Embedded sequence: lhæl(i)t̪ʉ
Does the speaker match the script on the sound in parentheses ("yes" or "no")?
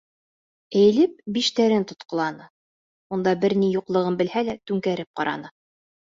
no